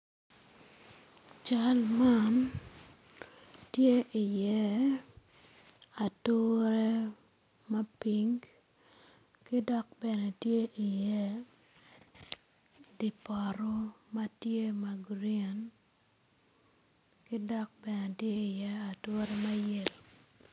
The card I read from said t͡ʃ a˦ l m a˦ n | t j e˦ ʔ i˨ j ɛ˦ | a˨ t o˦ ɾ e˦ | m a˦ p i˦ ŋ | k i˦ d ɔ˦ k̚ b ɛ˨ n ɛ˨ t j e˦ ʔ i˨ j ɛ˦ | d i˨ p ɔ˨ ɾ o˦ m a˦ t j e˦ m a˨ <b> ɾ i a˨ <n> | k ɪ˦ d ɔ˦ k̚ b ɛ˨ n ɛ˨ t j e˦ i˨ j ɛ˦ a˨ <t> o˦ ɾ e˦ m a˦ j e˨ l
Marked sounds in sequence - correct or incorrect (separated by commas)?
incorrect, correct, correct